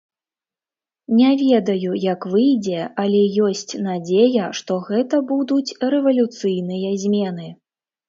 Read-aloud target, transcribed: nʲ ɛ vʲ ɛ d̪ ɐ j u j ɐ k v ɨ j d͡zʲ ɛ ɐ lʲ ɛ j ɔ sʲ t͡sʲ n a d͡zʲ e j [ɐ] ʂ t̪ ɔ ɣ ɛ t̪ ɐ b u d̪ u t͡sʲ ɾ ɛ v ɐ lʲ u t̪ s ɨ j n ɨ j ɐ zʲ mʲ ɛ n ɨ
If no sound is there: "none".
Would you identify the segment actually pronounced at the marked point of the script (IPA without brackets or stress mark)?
ɐ